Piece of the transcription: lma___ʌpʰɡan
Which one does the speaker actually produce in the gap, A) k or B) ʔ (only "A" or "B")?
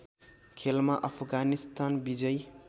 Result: B